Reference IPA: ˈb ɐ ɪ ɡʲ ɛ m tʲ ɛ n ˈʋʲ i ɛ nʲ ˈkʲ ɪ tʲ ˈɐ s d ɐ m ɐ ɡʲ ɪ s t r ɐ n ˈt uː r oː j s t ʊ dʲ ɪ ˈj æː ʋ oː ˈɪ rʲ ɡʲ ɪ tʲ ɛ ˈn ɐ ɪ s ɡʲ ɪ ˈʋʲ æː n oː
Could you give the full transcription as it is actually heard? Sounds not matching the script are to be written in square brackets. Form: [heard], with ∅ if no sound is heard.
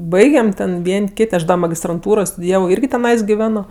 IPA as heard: ˈb ɐ ɪ ɡʲ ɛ m tʲ ɛ n ˈʋʲ i ɛ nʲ ˈkʲ ɪ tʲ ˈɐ [ʃ] d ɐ m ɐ ɡʲ ɪ s t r ɐ n ˈt uː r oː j s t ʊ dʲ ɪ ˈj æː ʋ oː ˈɪ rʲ ɡʲ ɪ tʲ ɛ ˈn ɐ ɪ s ɡʲ ɪ ˈʋʲ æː n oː